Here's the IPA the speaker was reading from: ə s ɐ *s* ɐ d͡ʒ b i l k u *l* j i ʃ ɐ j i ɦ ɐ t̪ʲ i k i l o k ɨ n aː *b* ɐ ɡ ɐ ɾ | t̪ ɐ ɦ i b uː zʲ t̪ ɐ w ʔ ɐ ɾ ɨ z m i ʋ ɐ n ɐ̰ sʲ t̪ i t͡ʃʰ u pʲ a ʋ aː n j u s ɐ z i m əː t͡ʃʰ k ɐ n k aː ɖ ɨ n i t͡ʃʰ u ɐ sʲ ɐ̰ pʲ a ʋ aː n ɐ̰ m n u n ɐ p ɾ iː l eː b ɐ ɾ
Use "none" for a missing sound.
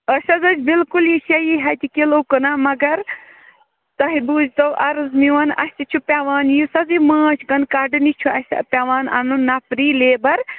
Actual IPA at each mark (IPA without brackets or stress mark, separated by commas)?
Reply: z, l, m